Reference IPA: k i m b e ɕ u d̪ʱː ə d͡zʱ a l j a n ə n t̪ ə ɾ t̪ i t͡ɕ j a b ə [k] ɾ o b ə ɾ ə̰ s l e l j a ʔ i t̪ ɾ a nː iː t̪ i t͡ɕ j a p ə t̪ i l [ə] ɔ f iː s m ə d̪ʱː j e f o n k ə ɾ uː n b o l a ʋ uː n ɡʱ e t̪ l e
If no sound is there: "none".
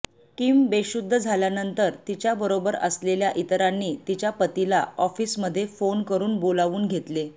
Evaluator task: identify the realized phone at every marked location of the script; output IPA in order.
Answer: none, a

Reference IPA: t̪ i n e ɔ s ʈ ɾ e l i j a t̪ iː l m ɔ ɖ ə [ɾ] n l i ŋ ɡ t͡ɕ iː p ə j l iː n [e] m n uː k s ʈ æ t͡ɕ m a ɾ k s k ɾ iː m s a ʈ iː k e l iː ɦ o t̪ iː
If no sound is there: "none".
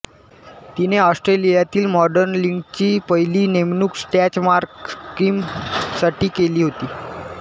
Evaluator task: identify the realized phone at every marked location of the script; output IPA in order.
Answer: ɾ, e

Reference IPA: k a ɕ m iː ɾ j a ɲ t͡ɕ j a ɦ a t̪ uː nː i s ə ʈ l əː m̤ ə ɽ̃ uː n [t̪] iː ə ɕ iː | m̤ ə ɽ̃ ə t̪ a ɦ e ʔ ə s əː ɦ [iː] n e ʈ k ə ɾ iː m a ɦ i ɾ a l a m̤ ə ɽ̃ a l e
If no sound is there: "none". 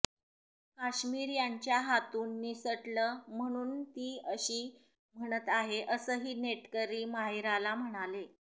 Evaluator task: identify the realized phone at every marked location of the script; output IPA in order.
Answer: t̪, iː

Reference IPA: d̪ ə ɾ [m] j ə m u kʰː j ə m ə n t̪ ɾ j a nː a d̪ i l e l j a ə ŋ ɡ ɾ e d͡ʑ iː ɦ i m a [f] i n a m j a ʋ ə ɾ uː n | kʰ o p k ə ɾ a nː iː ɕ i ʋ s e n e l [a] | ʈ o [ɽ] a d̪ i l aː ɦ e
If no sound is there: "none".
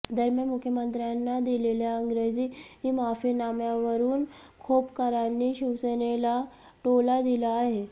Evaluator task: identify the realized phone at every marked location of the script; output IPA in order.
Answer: m, f, a, l

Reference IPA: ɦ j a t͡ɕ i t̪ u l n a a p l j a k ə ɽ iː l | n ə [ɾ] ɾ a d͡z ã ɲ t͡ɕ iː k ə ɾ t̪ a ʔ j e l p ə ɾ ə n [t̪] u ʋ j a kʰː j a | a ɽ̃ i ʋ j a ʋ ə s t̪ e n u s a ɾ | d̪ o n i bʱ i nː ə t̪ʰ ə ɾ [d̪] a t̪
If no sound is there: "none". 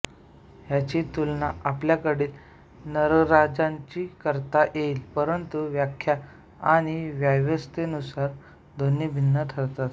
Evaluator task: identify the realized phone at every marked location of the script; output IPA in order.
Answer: ɾ, t̪, t̪

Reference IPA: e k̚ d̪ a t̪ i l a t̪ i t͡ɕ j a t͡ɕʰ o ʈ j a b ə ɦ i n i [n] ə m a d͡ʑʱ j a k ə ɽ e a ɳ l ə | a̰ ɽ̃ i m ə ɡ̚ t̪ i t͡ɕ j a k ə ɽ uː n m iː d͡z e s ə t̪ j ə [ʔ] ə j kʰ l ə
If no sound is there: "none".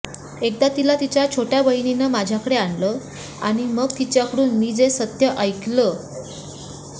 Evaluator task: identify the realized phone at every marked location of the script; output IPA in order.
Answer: n, ʔ

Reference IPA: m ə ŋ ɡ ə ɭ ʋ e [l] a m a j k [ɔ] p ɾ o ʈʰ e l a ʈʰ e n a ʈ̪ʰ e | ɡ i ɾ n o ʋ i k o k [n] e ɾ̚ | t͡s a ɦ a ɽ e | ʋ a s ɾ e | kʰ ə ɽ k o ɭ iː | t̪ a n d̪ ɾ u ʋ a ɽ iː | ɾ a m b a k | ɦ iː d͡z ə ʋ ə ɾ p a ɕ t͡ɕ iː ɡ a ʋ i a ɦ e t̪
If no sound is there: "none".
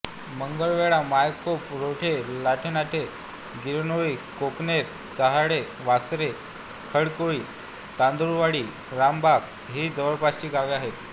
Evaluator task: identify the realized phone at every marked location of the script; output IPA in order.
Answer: ɭ, o, n

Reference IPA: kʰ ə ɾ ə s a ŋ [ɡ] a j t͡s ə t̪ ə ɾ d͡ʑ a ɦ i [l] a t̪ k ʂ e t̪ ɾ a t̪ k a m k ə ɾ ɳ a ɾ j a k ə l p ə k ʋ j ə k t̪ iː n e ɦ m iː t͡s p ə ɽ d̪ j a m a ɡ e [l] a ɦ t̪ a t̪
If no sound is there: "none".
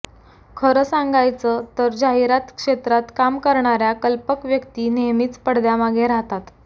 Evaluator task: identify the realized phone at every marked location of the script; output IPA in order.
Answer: ɡ, ɾ, ɾ

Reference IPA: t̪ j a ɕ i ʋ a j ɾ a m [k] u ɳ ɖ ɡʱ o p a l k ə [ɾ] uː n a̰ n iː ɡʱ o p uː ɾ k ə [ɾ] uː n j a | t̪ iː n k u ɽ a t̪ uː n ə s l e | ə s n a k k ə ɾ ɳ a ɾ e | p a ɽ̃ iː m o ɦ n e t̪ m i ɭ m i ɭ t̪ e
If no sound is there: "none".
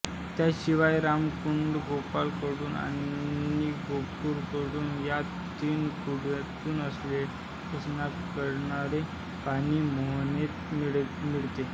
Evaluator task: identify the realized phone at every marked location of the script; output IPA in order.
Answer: k, ɽ, ɽ

